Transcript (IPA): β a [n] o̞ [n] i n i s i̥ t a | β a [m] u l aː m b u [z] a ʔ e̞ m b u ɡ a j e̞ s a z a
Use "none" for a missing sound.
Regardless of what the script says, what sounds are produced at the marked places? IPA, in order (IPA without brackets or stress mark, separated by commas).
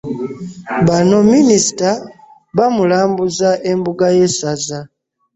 n, m, m, z